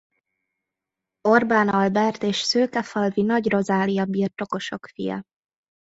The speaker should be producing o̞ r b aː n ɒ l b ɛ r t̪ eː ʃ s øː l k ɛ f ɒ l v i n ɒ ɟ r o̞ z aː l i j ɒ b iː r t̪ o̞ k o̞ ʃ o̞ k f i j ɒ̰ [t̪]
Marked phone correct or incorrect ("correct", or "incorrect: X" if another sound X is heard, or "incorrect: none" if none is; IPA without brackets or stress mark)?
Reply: incorrect: none